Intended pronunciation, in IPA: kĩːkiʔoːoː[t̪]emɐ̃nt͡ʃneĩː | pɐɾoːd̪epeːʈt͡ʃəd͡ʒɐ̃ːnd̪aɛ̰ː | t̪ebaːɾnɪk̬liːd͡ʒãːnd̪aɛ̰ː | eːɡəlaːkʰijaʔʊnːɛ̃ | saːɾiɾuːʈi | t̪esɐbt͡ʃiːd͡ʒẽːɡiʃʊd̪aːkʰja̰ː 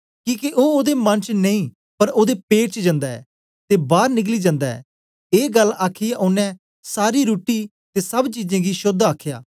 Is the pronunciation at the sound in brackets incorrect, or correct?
incorrect